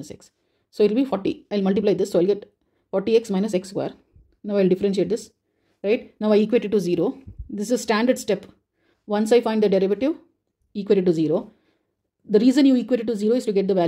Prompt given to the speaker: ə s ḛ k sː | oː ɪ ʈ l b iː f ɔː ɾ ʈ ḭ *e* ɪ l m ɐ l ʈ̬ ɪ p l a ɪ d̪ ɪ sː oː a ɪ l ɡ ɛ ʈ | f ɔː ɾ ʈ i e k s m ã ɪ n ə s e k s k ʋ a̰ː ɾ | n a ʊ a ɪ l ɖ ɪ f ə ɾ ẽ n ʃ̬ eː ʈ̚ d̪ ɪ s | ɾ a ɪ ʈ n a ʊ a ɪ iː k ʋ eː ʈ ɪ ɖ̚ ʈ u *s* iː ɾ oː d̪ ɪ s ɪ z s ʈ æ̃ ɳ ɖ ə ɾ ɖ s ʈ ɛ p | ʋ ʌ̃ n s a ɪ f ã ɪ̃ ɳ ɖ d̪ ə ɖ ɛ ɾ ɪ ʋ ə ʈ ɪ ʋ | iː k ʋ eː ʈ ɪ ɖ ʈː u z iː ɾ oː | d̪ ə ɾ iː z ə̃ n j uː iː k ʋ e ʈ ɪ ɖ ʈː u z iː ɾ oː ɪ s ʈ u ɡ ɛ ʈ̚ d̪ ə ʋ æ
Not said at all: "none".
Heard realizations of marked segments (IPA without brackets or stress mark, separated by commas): a, z